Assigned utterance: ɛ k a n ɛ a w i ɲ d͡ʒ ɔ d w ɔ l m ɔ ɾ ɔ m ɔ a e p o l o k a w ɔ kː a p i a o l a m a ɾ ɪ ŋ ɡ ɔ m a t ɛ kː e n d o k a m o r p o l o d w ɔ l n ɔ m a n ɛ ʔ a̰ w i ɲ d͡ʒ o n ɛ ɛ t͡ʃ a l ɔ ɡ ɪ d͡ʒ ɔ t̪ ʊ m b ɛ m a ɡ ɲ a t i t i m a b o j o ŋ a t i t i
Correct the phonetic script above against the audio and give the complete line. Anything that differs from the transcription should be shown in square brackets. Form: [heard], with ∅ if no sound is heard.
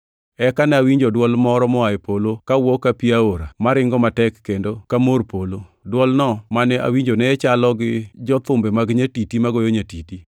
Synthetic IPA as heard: ɛ k a n ɛ a w i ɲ d͡ʒ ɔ d w ɔ l m ɔ ɾ ɔ m ɔ a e p o l o k a w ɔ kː a p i a o [ɾ] a m a ɾ ɪ ŋ ɡ ɔ m a t ɛ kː e n d o k a m o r p o l o d w ɔ l n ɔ m a n ɛ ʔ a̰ w i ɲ d͡ʒ o n ɛ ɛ t͡ʃ a l ɔ ɡ ɪ d͡ʒ ɔ t̪ ʊ m b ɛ m a ɡ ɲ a t i t i m a [ɡ] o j o [ɲ] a t i t i